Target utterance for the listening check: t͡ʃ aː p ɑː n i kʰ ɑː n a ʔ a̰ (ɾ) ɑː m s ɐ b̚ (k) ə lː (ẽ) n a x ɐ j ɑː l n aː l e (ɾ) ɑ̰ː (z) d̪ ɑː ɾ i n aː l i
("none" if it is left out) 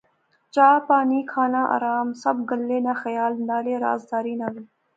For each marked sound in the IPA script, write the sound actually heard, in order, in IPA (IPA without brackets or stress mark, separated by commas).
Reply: ɾ, ɡ, e, ɾ, z